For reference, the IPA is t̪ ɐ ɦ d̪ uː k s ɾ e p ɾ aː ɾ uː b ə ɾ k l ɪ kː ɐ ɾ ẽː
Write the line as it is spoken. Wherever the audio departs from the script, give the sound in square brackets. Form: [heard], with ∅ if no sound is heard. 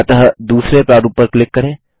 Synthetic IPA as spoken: t̪ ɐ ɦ d̪ uː [∅] s ɾ e p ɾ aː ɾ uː [p] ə ɾ k l ɪ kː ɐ ɾ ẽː